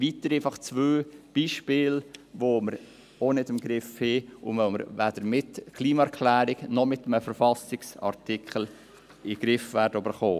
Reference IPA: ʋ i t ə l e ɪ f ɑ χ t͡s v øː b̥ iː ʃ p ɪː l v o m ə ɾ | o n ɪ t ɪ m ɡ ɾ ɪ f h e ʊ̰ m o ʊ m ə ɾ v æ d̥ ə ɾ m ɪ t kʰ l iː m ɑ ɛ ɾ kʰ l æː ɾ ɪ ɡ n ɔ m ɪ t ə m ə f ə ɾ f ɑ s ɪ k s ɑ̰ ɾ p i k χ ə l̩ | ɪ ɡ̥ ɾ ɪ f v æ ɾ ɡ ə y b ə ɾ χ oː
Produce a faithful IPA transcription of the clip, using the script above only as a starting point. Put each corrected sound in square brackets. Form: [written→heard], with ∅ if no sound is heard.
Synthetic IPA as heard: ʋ i t ə [l→ɾ] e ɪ f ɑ χ t͡s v øː b̥ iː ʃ p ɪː l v o m ə ɾ | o n ɪ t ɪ m ɡ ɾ ɪ f h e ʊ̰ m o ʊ m ə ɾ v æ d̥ ə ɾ m ɪ t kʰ l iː m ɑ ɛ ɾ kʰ l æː ɾ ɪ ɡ n ɔ m ɪ t ə m ə f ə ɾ f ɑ s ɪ k s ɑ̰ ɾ [p→t] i k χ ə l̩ | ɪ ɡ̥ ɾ ɪ f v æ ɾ [ɡ→d] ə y b ə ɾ χ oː